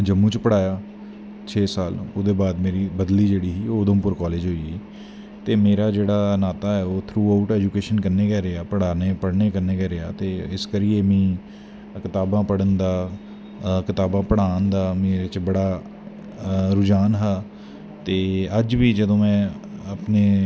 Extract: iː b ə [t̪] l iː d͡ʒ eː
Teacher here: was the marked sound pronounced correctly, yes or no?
no